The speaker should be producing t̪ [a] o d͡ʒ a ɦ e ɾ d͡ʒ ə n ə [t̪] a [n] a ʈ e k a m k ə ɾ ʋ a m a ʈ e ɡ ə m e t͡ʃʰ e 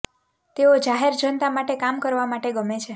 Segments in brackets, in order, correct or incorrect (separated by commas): incorrect, correct, incorrect